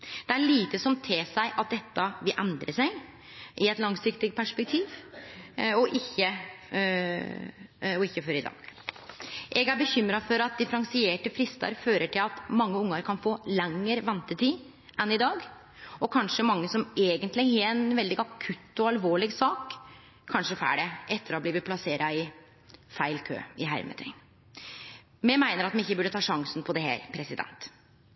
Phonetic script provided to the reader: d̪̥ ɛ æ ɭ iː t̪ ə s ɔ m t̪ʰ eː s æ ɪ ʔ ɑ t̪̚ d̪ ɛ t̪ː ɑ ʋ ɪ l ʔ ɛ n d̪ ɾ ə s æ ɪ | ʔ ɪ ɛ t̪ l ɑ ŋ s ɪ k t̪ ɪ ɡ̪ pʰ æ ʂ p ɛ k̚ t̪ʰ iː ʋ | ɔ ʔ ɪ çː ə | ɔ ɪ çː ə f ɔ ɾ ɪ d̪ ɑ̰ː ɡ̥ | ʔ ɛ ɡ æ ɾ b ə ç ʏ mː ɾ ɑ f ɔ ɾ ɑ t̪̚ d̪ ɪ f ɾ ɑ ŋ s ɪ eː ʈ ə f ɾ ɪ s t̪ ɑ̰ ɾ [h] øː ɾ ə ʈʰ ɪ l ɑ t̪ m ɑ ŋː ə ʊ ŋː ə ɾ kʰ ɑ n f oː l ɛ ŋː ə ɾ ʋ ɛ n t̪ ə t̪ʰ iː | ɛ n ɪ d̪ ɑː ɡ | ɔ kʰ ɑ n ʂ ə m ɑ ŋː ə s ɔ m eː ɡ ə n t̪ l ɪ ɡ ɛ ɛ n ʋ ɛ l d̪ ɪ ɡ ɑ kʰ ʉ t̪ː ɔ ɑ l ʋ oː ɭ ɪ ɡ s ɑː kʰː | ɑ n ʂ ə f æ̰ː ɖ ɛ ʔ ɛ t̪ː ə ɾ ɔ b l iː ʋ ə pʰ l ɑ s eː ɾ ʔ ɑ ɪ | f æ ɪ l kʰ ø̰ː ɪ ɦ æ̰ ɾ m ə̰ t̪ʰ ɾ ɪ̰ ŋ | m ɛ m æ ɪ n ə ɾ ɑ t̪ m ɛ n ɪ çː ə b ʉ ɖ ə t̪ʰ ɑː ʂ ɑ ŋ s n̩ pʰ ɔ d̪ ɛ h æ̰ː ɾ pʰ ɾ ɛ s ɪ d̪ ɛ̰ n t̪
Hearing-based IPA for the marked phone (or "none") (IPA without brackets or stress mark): f